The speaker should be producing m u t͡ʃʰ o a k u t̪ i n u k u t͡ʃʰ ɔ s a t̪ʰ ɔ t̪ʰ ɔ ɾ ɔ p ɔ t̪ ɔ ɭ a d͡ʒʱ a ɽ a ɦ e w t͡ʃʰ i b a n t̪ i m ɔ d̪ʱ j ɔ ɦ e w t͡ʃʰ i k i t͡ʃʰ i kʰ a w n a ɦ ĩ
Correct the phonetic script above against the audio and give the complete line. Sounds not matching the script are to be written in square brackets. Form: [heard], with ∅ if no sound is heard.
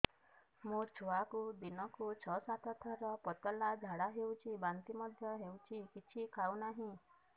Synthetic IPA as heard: m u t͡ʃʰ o a k u [d̪] i n [ɔ] k u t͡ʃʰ ɔ s a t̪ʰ ɔ t̪ʰ ɔ ɾ ɔ p ɔ t̪ ɔ [l] a d͡ʒʱ a ɽ a ɦ e w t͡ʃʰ i b a n t̪ i m ɔ d̪ʱ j ɔ ɦ e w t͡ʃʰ i k i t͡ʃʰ i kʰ a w n a ɦ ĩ